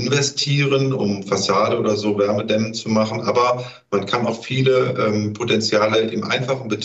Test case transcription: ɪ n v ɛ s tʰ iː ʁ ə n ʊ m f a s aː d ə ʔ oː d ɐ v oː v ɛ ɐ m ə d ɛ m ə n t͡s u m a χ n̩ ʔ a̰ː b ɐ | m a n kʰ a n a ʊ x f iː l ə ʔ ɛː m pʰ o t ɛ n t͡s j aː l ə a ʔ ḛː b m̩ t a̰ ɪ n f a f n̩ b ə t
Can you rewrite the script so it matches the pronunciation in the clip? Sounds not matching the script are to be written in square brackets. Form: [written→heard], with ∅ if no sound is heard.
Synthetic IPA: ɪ n v ɛ s tʰ iː ʁ ə n ʊ m f a s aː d ə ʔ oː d ɐ [v→z] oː v ɛ ɐ m ə d ɛ m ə n t͡s u m a χ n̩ ʔ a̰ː b ɐ | m a n kʰ a n a ʊ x f iː l ə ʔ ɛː m pʰ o t ɛ n t͡s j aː l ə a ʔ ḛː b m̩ [t→ʔ] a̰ ɪ n f a [f→χ] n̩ b ə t